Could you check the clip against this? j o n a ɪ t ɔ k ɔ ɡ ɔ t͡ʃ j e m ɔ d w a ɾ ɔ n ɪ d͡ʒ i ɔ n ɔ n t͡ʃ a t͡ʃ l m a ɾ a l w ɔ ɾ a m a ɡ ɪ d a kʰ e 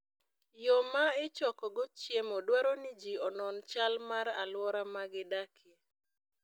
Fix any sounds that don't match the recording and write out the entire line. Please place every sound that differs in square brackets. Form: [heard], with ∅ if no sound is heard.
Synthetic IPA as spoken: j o [m] a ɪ [t͡ʃ] ɔ k ɔ ɡ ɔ t͡ʃ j e m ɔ d w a ɾ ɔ n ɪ d͡ʒ i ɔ n ɔ n t͡ʃ a [∅] l m a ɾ a l w ɔ ɾ a m a ɡ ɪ d a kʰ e